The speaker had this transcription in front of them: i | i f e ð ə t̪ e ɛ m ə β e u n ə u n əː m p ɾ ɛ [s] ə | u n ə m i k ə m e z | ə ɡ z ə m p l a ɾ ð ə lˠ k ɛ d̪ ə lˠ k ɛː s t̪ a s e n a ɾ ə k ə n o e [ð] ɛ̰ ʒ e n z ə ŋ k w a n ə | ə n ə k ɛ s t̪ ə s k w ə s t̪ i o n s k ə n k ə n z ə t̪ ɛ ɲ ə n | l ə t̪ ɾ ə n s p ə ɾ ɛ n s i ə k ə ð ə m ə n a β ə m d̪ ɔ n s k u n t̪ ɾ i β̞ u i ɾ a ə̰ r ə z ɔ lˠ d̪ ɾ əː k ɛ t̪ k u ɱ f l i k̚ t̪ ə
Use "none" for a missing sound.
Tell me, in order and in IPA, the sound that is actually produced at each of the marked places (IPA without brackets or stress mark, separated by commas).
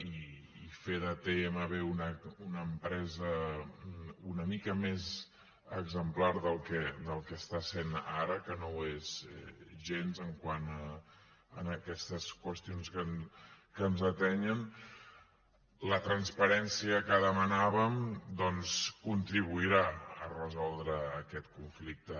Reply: z, z